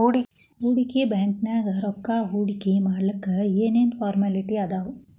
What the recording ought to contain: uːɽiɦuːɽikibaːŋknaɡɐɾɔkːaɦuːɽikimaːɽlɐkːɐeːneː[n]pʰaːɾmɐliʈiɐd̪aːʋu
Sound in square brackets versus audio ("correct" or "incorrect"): correct